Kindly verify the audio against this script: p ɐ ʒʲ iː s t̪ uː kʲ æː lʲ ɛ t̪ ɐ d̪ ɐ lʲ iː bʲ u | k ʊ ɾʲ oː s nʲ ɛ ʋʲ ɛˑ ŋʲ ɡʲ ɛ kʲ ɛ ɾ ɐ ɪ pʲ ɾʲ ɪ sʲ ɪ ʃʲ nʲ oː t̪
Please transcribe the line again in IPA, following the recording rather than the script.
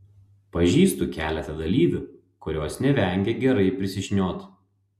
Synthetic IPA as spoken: p ɐ ʒʲ iː s t̪ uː kʲ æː lʲ ɛ t̪ ɐ d̪ ɐ lʲ iː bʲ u | k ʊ ɾʲ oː s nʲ ɛ ʋʲ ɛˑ ŋʲ ɡʲ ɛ ɡʲ ɛ ɾ ɐ ɪ pʲ ɾʲ ɪ sʲ ɪ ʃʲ nʲ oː t̪